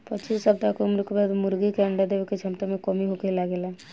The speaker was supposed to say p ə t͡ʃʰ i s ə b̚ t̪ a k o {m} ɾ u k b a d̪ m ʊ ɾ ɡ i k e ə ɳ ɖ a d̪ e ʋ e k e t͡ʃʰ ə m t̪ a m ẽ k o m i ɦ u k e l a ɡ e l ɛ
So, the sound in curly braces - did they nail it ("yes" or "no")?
yes